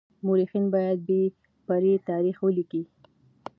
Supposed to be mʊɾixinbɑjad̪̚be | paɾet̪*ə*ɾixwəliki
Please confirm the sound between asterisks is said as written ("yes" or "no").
no